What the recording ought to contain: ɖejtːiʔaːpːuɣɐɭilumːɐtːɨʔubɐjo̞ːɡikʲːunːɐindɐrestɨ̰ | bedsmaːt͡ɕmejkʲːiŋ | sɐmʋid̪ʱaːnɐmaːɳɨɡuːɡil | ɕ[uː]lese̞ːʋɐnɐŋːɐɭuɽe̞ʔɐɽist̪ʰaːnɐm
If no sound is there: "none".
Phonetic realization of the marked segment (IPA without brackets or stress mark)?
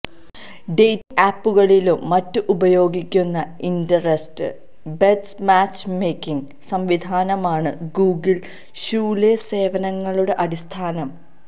uː